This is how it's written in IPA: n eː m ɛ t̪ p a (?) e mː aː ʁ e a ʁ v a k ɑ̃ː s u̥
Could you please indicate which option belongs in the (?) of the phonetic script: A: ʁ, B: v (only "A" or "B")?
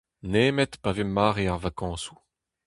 B